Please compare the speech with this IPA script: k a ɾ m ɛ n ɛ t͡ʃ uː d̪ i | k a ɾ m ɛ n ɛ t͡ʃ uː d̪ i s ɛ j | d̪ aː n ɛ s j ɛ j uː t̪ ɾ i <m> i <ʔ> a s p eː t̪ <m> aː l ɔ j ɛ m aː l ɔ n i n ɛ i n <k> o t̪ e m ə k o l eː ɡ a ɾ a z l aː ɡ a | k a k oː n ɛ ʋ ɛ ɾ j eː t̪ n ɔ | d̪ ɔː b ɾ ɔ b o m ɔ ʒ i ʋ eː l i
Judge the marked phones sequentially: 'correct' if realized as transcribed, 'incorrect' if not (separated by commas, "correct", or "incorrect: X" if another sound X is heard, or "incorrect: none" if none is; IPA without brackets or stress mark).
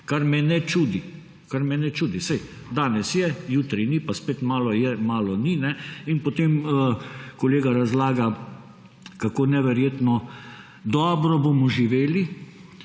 incorrect: n, incorrect: p, correct, incorrect: p